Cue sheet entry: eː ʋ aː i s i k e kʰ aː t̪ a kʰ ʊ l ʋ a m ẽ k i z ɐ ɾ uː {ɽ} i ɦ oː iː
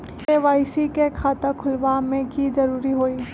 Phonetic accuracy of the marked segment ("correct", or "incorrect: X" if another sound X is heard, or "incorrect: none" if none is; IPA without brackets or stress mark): incorrect: ɾ